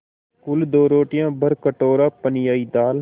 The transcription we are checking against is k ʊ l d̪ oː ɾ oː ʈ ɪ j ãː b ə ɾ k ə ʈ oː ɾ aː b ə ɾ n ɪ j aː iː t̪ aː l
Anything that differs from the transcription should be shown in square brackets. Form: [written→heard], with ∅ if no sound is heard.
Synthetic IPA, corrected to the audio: k ʊ l d̪ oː ɾ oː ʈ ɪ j ãː b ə ɾ k ə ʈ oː ɾ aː [b→p] ə [ɾ→∅] n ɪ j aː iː [t̪→d̪] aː l